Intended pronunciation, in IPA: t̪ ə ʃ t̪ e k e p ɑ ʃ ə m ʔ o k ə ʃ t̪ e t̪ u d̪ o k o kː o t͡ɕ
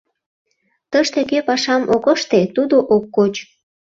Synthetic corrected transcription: t̪ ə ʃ t̪ e k e p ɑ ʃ ɑ m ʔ o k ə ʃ t̪ e t̪ u d̪ o ʔ o kː o t͡ɕ